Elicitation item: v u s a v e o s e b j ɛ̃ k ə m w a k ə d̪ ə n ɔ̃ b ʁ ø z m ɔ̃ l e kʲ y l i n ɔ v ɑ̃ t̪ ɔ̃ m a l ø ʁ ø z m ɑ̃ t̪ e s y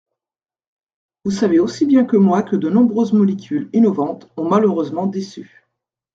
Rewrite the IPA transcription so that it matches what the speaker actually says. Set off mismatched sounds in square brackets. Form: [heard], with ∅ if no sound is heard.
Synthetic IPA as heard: v u s a v e o s [i] b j ɛ̃ k ə m w a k ə d̪ ə n ɔ̃ b ʁ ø z m [ɔ] l e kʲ y l i n ɔ v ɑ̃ t̪ ɔ̃ m a l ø ʁ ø z m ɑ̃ [d̪] e s y

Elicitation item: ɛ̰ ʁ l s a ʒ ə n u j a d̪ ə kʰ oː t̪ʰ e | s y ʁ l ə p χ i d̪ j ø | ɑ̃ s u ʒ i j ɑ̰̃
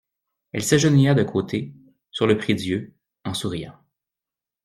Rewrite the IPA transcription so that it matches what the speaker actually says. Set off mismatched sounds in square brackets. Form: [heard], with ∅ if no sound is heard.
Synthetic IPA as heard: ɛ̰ [∅] l s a ʒ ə n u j a d̪ ə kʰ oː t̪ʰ e | s y ʁ l ə p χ i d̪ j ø | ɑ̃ s u [ʁ] i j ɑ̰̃

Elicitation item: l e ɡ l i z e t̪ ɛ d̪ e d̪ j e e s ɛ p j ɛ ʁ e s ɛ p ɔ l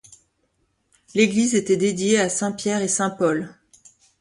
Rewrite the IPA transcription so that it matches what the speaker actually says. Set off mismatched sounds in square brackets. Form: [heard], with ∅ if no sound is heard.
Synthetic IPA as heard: l e ɡ l i z e t̪ ɛ d̪ e d̪ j e [a] s [ɛ̃] p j ɛ ʁ e s [ɛ̃] p ɔ l

